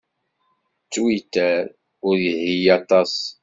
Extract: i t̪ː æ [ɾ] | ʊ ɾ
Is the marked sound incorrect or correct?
correct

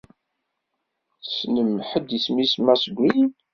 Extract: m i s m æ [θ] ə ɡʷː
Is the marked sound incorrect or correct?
incorrect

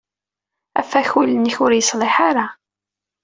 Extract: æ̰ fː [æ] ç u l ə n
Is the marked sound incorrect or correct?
correct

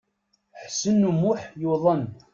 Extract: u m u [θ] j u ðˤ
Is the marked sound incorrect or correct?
incorrect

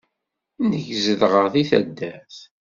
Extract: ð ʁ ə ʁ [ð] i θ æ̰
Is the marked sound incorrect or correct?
incorrect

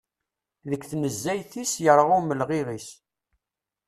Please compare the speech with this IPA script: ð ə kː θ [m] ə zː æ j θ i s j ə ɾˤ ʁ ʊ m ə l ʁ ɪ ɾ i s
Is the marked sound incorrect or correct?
incorrect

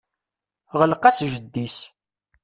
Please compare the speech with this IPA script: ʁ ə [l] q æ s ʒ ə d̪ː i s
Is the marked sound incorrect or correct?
correct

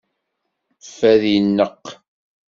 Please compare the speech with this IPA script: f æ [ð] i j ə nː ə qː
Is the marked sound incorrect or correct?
correct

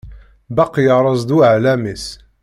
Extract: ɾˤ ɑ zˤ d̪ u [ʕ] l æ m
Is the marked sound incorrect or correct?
correct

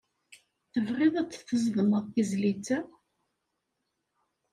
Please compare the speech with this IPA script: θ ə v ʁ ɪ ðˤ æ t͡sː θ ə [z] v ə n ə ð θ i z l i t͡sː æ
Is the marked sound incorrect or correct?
correct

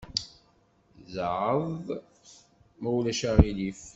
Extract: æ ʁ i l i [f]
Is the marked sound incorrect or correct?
correct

